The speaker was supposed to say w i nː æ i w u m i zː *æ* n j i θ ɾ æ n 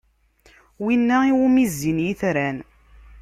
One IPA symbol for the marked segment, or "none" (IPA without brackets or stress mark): i